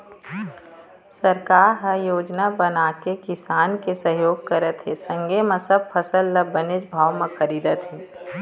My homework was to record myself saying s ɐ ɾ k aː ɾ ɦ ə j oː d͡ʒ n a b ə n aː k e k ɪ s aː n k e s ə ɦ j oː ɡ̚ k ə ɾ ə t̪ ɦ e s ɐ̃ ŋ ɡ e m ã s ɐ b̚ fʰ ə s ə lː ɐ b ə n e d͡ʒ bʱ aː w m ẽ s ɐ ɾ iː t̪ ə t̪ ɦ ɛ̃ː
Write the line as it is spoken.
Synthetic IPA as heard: s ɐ ɾ k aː ɾ ɦ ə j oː d͡ʒ n a b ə n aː k e k ɪ s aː n k e s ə ɦ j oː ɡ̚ k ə ɾ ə t̪ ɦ e s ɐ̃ ŋ ɡ e m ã s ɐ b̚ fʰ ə s ə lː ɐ b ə n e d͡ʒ bʱ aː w m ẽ x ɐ ɾ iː d̪ ə t̪ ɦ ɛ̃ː